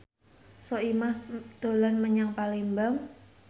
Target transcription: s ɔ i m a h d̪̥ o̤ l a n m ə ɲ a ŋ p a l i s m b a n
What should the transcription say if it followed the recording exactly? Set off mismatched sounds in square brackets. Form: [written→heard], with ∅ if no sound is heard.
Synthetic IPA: s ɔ i m a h d̪̥ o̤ l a n m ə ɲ a ŋ p a l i [s→∅] m b a [n→ŋ]